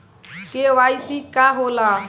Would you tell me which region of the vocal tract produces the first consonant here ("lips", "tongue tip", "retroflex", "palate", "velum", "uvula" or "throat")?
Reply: velum